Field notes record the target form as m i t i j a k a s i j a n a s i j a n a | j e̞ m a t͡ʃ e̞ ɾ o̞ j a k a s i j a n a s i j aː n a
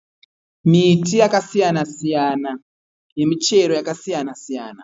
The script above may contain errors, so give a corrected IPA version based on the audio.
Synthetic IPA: m i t i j a k a s i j a n a s i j a n a | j e̞ m i t͡ʃ e̞ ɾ o̞ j a k a s i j a n a s i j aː n a